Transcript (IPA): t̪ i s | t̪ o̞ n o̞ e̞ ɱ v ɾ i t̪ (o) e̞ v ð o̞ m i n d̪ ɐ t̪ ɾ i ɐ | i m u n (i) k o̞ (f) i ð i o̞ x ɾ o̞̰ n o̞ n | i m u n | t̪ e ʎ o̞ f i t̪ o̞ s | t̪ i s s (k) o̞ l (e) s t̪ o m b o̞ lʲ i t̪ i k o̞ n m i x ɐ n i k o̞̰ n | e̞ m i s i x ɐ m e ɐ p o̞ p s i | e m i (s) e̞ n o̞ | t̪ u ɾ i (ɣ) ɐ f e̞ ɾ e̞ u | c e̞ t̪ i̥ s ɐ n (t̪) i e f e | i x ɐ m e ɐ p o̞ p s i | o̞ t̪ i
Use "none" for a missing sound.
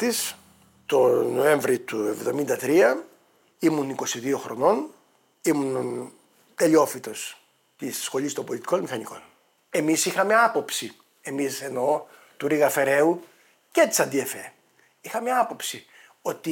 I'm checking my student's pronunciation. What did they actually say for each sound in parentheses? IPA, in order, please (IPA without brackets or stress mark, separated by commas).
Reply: u, i, s, x, i, s, ɣ, d̪